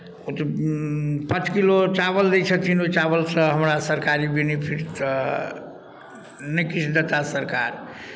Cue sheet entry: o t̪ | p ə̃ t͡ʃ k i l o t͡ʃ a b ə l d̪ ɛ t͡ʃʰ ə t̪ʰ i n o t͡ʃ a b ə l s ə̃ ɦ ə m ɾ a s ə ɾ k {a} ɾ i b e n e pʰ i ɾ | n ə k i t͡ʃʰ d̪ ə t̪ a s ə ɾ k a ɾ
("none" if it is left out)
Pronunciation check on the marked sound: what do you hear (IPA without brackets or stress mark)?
a